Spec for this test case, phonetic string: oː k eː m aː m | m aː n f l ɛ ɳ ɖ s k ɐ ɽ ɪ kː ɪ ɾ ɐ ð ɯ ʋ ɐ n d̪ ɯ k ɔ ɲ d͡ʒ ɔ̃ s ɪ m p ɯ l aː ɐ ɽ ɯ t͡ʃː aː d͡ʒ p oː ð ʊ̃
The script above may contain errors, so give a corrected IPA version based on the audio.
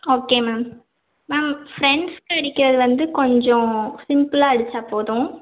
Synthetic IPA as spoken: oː k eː m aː m | m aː m f ɾ ɛ ɳ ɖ s k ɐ ɽ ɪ kː ɪ ɾ ɐ ð ɯ ʋ ɐ n d̪ ɯ k ɔ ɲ d͡ʒ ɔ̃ s ɪ m p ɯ l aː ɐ ɽ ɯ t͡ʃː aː p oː ð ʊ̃